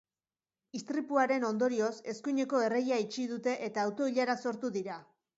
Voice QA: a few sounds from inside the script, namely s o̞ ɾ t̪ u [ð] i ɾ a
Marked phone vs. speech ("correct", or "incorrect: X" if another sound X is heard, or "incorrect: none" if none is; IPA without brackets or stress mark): correct